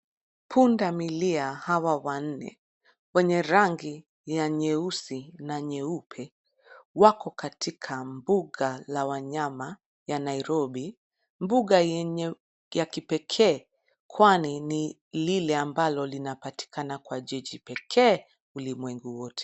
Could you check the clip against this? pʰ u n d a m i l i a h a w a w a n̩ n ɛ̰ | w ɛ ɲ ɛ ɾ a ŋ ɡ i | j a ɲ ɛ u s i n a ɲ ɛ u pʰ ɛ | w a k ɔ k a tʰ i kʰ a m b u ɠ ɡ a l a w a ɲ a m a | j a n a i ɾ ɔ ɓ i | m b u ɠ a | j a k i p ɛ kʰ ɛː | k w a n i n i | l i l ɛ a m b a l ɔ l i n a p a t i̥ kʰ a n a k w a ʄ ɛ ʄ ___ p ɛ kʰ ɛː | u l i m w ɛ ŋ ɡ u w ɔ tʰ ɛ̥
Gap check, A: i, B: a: A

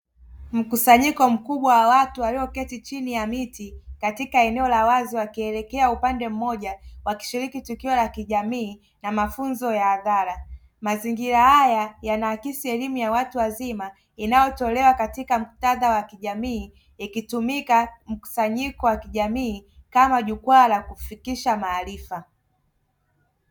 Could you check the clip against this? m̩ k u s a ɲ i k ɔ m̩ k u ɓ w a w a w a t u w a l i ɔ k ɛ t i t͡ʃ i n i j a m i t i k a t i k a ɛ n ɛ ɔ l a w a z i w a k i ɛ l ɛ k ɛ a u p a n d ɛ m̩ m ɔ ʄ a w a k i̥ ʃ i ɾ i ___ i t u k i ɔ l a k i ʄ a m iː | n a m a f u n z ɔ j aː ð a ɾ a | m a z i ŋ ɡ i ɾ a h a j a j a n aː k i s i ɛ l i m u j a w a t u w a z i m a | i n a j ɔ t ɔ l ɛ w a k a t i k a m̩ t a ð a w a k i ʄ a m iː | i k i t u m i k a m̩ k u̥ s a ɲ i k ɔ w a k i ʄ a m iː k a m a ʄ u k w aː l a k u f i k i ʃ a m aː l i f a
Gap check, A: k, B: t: A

